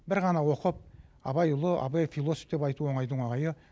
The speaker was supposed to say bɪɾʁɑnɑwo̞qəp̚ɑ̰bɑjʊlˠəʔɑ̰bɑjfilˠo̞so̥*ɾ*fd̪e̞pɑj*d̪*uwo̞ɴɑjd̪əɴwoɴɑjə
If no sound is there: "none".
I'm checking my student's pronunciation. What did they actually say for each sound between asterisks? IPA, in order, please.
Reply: none, t̪

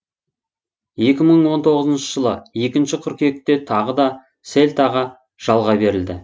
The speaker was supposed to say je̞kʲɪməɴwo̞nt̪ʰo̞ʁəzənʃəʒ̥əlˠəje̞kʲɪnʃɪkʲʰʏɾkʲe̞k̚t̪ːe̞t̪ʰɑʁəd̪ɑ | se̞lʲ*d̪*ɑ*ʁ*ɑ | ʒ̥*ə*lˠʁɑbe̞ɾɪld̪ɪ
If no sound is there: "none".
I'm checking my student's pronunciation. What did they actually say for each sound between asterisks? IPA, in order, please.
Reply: t̪, ʁ, ɑ

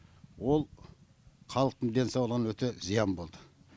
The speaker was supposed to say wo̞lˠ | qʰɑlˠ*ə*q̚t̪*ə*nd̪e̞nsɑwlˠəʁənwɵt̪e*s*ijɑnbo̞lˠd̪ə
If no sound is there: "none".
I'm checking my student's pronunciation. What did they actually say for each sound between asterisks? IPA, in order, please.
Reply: ə, ə, z

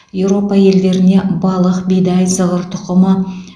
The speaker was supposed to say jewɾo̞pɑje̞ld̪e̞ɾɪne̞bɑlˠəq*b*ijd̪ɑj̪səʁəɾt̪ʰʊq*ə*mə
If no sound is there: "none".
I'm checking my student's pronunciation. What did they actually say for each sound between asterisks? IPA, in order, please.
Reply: b, ə

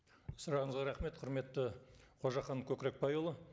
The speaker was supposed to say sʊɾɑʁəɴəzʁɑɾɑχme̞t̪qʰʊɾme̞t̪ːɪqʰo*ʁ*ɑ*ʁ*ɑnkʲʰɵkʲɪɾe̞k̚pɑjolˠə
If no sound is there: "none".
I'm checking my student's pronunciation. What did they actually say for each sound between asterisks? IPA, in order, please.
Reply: ʒ, χ

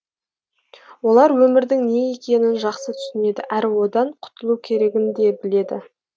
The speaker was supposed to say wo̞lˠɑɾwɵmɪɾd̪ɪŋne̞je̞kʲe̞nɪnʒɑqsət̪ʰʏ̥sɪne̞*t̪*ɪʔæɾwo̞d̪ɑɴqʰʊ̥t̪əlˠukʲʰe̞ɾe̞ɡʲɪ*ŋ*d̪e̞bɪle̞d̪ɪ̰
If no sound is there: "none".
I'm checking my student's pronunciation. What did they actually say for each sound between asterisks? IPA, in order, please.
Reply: d̪, n

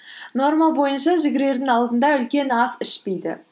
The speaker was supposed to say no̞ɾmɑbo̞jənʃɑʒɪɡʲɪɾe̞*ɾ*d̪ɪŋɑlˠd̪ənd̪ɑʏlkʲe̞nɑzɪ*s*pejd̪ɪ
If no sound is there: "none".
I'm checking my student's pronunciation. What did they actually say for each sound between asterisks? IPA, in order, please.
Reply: ɾ, ʃ

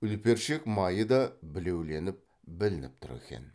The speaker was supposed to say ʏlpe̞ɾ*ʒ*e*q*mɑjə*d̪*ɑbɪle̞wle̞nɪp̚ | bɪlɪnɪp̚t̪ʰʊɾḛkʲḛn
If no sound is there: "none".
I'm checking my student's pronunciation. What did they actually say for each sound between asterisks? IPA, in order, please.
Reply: ʃ, k, d̪

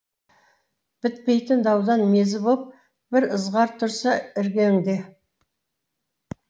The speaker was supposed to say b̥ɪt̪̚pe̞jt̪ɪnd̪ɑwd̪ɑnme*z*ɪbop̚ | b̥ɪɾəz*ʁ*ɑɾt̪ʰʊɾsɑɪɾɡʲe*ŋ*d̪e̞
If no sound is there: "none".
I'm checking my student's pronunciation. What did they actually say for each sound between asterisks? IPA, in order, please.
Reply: z, ʁ, ŋ

